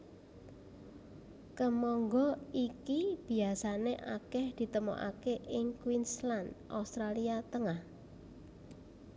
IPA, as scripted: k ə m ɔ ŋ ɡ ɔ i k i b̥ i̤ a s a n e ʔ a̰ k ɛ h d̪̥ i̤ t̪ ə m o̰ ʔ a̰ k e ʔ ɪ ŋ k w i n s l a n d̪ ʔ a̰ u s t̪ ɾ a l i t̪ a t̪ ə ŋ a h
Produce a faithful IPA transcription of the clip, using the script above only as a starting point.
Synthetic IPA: k ə m ɔ ŋ ɡ ɔ i k i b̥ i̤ a s a n e ʔ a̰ k ɛ h d̪̥ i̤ t̪ ə m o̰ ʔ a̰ k e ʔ ɪ ŋ k w i n s l a n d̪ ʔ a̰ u s t̪ ɾ a l i a t̪ ə ŋ a h